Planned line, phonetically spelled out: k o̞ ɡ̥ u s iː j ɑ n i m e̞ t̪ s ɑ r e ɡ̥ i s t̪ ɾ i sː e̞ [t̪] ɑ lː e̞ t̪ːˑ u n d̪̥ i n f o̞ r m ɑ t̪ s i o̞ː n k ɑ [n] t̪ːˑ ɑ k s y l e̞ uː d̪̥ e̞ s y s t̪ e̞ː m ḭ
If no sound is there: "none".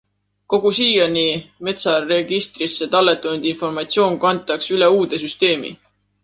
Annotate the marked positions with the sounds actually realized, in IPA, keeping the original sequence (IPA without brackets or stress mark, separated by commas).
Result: t̪, n